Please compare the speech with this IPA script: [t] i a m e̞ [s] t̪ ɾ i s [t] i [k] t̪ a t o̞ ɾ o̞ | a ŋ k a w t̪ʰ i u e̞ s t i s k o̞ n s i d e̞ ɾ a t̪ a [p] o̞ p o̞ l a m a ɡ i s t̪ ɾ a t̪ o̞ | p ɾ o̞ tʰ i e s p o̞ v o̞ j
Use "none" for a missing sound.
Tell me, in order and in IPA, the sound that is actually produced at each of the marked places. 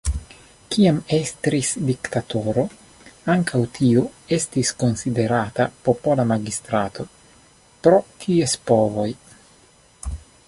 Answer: k, s, d, k, p

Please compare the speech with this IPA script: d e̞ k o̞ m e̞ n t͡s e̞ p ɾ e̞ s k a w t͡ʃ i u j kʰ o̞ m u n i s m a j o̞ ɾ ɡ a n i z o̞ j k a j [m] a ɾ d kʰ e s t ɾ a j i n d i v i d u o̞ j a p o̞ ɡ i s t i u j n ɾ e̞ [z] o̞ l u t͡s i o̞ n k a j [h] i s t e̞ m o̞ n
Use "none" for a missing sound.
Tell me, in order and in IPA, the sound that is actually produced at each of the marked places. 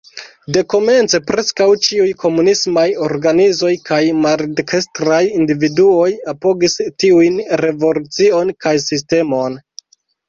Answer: m, v, s

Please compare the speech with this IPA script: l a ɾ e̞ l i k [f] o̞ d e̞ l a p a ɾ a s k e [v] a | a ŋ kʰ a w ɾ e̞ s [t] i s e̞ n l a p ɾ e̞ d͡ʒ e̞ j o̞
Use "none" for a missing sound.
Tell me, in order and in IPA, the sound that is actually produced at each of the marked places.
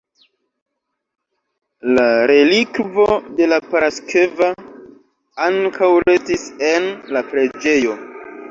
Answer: v, v, t

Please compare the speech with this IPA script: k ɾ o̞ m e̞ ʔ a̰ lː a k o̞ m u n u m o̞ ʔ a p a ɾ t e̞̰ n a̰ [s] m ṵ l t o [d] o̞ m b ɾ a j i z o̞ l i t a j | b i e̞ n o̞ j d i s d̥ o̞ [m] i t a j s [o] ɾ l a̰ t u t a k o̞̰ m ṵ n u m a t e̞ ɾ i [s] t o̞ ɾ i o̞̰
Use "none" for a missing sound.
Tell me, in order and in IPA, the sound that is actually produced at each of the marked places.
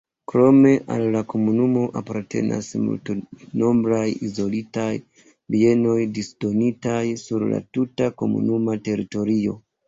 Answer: s, n, n, u, none

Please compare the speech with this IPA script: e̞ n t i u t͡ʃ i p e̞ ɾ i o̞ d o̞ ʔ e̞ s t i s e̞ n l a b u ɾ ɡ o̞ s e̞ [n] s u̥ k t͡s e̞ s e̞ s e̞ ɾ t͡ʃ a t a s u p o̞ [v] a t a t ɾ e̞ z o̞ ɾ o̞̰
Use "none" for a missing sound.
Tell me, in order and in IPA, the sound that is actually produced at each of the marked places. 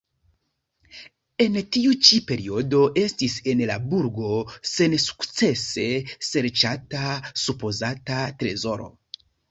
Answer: n, z

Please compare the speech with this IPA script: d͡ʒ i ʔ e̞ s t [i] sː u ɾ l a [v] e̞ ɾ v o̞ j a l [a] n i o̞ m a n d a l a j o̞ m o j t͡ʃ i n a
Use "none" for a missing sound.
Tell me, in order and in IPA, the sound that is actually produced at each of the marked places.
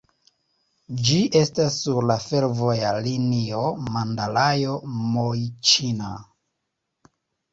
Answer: a, f, i

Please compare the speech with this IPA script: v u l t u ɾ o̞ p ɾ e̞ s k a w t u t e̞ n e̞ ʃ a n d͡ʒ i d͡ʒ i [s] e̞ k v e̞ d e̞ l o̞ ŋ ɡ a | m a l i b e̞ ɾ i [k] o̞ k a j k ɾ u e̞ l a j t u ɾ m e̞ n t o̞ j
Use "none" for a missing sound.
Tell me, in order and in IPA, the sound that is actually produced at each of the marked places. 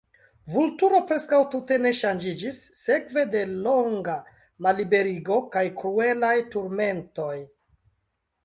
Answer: sː, ɡ

